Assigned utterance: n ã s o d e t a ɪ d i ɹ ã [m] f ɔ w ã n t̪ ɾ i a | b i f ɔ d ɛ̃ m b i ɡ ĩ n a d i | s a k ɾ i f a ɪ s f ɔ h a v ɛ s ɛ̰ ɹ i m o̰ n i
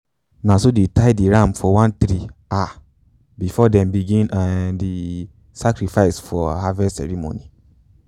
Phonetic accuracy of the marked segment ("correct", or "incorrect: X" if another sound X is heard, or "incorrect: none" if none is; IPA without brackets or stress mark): correct